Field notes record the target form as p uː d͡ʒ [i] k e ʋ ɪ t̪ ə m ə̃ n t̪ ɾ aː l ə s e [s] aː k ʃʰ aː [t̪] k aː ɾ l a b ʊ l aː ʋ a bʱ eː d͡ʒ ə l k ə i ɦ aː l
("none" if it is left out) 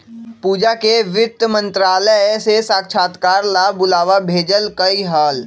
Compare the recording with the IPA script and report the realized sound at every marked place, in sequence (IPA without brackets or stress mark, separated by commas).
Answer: a, s, t̪